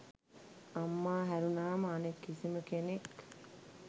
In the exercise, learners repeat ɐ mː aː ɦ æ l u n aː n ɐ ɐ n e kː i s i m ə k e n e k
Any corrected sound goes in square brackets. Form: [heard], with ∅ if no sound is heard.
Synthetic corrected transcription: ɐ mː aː ɦ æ [ɾ] u n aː [m] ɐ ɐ n e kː i s i m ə k e n e k

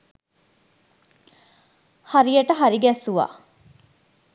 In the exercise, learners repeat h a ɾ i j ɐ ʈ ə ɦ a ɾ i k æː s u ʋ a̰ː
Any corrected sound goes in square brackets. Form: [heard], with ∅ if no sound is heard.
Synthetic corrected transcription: h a ɾ i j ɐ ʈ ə ɦ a ɾ i [ɡ] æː s u ʋ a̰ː

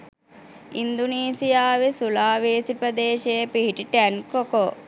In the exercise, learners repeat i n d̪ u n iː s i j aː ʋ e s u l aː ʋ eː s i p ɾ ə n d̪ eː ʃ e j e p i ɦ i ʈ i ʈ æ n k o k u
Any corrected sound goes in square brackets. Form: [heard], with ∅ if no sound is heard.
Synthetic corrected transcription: i n d̪ u n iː s i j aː ʋ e s u l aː ʋ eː s i p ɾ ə [∅] d̪ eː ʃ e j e p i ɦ i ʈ i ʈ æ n k o k [o]

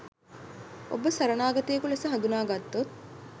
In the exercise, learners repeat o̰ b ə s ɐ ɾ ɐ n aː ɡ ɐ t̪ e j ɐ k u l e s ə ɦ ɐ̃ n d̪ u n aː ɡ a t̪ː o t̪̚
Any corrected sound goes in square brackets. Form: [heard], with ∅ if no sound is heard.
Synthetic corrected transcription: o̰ b ə s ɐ ɾ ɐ n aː ɡ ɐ t̪ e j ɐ k u l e s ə ɦ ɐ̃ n d̪ u n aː ɡ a t̪ː o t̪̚

